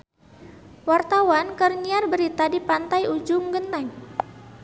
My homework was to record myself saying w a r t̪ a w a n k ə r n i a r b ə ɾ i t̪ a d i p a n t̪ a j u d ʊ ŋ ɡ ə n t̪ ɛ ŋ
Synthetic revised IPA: w a r t̪ a w a n k ə r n i a r b ə ɾ i t̪ a d i p a n t̪ a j u d͡ʒ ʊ ŋ ɡ ə n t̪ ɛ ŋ